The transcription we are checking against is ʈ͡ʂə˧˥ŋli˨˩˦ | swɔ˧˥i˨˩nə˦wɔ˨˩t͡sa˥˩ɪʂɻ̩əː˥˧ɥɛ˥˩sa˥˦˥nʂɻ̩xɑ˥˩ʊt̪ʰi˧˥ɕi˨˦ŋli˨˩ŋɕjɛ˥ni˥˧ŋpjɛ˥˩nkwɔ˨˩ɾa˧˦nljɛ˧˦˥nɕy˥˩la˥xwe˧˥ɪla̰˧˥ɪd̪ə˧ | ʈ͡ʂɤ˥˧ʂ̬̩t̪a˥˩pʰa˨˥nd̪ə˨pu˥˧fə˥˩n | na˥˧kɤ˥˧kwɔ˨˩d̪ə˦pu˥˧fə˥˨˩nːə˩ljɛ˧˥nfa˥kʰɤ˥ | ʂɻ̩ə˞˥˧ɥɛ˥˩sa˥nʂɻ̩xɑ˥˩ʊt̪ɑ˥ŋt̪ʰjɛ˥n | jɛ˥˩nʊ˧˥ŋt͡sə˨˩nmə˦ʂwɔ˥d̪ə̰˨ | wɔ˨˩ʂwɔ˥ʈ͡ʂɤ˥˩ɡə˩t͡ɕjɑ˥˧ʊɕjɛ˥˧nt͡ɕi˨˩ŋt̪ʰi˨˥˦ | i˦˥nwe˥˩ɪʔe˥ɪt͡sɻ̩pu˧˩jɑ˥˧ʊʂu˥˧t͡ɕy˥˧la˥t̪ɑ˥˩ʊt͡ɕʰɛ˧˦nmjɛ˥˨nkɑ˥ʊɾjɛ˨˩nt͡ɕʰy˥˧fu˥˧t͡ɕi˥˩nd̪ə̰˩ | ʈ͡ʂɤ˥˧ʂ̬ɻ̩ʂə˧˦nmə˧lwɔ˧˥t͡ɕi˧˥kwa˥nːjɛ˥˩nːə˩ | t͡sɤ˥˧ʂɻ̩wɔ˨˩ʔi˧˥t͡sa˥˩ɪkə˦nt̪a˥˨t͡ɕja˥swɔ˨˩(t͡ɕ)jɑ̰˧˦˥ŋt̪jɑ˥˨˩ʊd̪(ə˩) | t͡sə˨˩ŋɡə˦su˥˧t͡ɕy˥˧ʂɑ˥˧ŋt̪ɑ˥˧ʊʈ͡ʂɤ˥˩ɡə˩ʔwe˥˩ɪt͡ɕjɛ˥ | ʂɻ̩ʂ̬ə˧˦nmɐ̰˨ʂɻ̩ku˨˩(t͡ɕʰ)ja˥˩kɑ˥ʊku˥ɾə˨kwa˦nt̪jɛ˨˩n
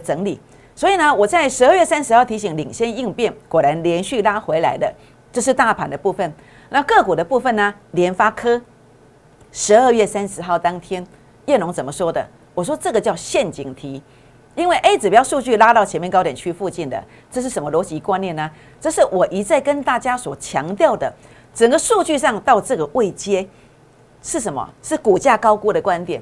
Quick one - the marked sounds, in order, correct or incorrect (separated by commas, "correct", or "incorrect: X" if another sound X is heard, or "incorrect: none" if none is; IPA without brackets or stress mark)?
incorrect: t͡ɕʰ, correct, incorrect: t͡ɕ